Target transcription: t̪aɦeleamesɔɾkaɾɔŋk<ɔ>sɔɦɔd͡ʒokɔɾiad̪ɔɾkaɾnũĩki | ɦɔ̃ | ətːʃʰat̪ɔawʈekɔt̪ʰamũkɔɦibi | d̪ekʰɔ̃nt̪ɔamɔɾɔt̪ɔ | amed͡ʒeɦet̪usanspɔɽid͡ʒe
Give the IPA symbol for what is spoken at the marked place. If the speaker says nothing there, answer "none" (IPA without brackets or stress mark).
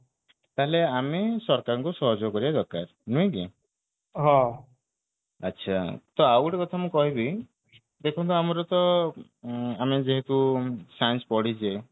u